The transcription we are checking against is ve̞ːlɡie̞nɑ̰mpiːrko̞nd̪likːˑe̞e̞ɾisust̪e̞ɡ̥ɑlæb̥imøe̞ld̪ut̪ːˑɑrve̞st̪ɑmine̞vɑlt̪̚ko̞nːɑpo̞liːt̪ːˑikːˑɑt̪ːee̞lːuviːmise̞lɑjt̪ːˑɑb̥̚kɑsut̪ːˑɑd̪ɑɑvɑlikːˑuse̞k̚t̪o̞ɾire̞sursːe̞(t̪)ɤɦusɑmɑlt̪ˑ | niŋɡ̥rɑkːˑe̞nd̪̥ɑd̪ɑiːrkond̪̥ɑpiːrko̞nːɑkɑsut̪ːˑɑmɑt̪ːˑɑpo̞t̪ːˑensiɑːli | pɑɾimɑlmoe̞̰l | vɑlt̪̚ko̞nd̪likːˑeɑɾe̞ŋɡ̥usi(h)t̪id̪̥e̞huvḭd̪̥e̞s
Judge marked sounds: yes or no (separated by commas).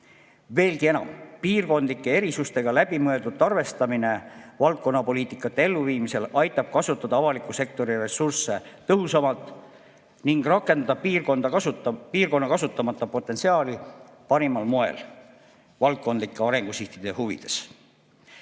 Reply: yes, yes